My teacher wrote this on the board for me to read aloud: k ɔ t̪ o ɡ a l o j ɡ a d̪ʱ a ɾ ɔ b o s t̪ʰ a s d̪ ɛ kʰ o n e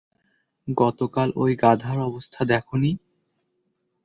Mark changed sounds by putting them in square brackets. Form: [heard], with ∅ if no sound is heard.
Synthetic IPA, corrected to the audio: [ɡ] ɔ t̪ o [k] a l o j ɡ a d̪ʱ a ɾ ɔ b o s t̪ʰ a [∅] d̪ ɛ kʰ o n [i]